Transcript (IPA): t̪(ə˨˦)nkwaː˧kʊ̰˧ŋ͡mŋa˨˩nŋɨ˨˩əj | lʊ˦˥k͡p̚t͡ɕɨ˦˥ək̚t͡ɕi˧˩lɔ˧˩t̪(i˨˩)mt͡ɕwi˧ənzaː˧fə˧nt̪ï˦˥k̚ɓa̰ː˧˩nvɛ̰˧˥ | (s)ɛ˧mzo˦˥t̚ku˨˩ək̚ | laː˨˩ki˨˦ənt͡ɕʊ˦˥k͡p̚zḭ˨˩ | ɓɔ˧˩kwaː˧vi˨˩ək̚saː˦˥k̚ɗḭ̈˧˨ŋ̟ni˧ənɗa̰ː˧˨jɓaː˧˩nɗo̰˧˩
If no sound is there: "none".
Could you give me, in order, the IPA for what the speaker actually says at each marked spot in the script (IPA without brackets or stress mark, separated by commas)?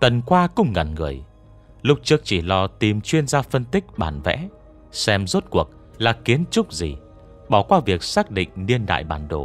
ə˨˩, i˨˩, s